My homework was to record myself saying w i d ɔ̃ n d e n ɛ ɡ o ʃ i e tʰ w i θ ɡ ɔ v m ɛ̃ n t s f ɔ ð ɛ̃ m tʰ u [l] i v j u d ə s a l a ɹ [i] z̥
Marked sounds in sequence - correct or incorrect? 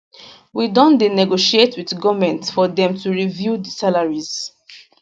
incorrect: ɹ, correct

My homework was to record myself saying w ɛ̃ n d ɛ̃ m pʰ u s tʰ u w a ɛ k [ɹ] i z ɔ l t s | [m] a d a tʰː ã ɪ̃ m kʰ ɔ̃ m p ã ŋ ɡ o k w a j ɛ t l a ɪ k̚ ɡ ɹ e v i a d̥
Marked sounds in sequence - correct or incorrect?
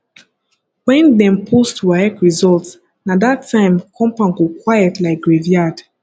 correct, incorrect: n

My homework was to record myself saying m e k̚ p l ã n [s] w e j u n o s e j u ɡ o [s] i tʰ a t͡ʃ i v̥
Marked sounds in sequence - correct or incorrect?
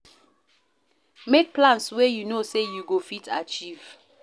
correct, incorrect: f

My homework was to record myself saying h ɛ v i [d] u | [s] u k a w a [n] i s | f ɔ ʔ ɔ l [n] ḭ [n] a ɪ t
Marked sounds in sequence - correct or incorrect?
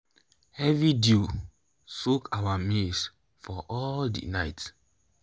correct, correct, incorrect: m, incorrect: d, correct

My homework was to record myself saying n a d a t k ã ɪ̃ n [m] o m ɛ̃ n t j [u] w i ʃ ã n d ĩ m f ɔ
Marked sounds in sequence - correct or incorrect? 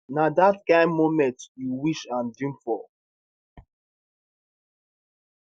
correct, correct

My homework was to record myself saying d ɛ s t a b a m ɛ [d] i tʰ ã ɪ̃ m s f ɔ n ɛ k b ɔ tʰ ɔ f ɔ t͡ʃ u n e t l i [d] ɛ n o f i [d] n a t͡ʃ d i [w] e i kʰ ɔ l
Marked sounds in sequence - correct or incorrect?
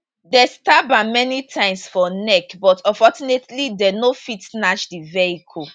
incorrect: n, correct, incorrect: t, incorrect: v

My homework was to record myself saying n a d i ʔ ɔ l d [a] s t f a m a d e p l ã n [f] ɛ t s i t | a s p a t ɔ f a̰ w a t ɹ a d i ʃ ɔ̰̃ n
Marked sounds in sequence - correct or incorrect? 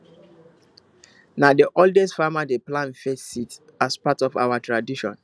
incorrect: ɛ, correct

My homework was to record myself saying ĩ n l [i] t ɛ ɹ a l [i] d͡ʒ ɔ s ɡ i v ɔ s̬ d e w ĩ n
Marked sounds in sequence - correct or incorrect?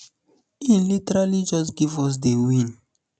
correct, correct

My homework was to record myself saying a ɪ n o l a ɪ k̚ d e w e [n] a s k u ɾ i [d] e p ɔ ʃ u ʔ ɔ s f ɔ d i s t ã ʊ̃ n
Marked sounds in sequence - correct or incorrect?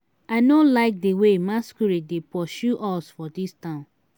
incorrect: m, correct

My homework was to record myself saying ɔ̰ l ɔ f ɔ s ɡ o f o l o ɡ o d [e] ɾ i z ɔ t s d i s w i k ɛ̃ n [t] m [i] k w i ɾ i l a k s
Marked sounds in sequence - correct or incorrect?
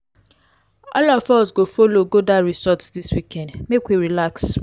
incorrect: a, incorrect: d, incorrect: e

